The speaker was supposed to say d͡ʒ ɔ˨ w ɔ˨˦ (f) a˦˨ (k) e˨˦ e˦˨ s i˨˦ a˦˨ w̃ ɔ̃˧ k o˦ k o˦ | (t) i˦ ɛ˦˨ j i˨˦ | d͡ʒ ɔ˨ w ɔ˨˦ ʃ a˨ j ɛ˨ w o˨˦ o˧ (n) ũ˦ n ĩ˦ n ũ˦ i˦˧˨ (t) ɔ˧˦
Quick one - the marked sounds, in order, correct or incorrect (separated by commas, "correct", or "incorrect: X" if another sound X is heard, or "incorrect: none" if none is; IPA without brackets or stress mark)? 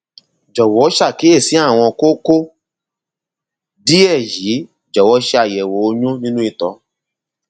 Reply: incorrect: ʃ, correct, incorrect: d, incorrect: ɲ, correct